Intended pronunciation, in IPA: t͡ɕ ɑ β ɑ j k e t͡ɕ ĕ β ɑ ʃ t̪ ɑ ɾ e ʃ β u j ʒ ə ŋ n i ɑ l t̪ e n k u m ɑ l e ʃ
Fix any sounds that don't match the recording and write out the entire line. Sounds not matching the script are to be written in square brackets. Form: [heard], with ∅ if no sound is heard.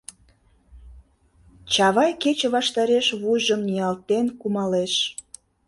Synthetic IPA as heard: t͡ɕ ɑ β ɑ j k e t͡ɕ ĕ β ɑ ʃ t̪ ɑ ɾ e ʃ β u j ʒ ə [m] n i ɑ l t̪ e n k u m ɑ l e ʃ